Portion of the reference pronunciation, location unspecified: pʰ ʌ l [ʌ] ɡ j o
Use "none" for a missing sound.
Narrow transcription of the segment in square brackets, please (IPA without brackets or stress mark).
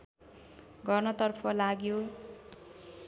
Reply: a